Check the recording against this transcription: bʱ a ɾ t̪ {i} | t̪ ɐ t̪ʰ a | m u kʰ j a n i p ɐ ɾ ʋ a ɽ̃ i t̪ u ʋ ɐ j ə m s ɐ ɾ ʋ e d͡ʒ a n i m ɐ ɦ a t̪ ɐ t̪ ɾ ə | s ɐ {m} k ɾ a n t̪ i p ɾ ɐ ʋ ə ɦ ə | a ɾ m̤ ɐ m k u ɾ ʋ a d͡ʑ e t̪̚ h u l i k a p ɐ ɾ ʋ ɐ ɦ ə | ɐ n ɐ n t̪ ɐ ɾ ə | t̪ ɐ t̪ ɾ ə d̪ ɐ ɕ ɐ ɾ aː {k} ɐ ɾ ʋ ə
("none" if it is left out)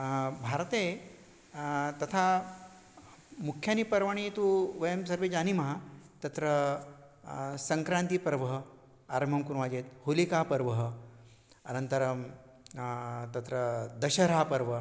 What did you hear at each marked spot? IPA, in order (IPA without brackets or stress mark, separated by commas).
e, ŋ, p